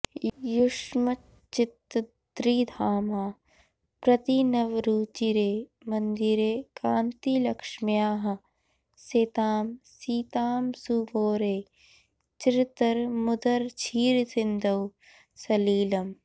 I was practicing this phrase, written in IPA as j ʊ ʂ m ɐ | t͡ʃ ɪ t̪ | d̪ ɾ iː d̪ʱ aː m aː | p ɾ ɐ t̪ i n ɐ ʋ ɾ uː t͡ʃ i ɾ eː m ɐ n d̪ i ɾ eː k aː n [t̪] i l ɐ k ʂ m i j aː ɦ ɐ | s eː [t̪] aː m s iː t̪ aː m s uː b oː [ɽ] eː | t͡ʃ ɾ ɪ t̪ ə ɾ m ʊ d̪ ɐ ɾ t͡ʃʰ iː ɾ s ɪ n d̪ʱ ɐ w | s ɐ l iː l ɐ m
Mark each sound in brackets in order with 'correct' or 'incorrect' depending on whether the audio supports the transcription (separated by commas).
correct, correct, incorrect